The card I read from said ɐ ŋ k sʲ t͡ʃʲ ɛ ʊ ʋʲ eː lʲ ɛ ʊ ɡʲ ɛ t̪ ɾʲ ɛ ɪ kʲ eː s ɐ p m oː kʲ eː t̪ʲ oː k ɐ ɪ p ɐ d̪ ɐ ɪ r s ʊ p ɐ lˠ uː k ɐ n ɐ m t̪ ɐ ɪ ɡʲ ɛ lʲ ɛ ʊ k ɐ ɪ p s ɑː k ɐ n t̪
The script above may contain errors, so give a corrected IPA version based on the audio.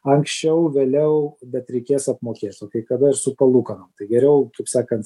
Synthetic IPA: ɐ ŋ k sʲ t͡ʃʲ ɛ ʊ ʋʲ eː lʲ ɛ ʊ bʲ ɛ t̪ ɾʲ ɛ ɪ kʲ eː s ɐ p m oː kʲ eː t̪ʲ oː k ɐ ɪ k ɐ d̪ ɐ ɪ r s ʊ p ɐ lˠ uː k ɐ n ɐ m t̪ ɐ ɪ ɡʲ ɛ ɾʲ ɛ ʊ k ɐ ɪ p s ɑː k ɐ n t̪